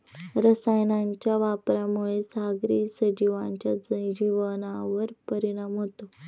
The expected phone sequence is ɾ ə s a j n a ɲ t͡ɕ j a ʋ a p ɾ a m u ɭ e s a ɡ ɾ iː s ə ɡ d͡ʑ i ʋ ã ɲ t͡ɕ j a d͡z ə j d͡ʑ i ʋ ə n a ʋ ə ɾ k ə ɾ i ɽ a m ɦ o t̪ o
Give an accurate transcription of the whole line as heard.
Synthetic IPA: ɾ ə s a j n a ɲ t͡ɕ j a ʋ a p ɾ a m u ɭ e s a ɡ ɾ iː s ə d͡ʑ i ʋ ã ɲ t͡ɕ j a d͡z ə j d͡ʑ i ʋ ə n a ʋ ə ɾ p ə ɾ i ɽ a m ɦ o t̪ o